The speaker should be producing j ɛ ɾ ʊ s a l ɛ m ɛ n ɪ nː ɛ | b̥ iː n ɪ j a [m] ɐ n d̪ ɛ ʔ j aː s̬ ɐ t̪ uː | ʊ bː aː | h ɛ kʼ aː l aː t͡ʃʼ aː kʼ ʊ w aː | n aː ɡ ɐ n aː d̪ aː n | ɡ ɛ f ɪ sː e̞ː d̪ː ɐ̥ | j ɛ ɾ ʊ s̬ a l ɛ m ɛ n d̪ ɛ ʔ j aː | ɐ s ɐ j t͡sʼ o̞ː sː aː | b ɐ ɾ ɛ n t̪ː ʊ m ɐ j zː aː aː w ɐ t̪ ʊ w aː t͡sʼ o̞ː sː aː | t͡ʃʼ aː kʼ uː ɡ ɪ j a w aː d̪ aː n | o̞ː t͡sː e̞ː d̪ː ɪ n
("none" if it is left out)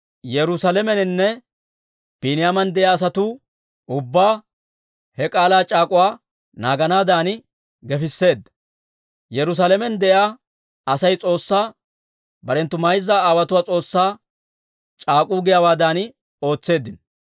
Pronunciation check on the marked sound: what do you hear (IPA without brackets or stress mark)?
m